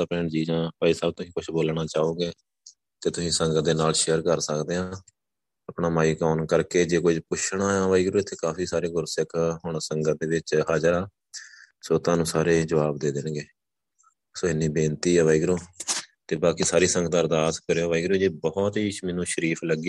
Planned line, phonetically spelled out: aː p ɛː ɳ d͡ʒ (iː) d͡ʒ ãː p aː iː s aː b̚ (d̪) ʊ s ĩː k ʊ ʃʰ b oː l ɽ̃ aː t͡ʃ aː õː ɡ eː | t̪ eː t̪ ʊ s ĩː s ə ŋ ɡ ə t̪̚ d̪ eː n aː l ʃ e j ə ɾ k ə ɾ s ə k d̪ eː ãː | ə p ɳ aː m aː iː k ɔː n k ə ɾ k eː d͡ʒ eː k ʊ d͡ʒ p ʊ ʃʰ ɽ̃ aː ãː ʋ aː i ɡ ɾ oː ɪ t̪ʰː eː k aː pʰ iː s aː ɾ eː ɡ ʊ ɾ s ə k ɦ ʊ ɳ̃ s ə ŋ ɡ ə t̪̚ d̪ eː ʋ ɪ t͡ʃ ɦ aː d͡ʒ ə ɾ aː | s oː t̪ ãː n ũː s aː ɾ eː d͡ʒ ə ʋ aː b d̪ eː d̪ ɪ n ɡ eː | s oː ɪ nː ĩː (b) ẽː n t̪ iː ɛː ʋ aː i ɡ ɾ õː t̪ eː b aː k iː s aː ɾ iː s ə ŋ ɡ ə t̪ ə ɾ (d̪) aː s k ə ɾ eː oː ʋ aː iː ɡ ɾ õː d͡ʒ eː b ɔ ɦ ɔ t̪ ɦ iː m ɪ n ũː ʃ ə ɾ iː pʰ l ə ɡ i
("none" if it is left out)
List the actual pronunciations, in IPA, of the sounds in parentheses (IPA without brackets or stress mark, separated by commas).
iː, t̪, b, d̪